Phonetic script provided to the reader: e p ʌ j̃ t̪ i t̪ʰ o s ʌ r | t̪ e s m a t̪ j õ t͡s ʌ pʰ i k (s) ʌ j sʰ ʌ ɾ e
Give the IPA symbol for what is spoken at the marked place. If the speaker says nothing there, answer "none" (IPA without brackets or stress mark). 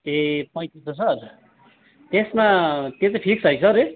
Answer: s